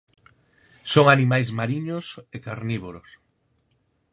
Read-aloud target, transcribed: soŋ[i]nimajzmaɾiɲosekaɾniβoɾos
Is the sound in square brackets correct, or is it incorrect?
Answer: incorrect: a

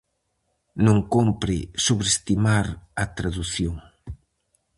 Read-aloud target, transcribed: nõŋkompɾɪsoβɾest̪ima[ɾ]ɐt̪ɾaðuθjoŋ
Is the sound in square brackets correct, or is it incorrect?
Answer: correct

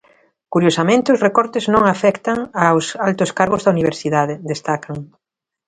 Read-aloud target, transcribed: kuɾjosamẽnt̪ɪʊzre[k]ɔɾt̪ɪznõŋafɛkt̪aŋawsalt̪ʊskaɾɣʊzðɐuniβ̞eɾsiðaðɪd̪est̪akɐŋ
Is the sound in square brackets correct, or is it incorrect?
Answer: correct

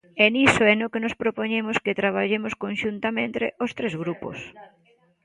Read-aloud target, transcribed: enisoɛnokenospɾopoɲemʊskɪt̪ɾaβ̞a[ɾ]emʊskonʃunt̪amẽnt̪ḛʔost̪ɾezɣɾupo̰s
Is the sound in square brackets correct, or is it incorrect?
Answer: incorrect: ʎ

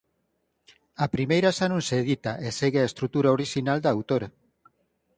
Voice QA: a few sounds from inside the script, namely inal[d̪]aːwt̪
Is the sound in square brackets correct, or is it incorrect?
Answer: correct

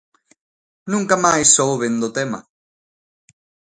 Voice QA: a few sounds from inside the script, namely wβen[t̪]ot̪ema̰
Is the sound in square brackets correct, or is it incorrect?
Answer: incorrect: d̪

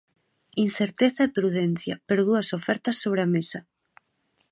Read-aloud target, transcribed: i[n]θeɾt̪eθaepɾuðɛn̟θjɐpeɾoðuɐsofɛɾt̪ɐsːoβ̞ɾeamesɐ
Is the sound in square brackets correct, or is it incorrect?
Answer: correct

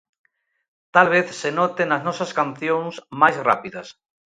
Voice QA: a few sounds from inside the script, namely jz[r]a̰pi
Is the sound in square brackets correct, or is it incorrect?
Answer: correct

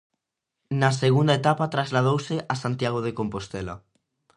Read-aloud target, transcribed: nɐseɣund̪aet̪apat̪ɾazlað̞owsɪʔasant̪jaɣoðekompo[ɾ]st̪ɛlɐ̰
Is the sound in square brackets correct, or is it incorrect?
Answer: incorrect: none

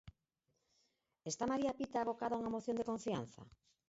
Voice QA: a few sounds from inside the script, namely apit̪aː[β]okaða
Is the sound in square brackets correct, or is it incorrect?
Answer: correct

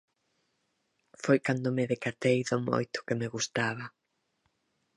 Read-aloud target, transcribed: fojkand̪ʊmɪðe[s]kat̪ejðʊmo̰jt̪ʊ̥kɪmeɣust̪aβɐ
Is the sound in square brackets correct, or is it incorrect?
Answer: incorrect: none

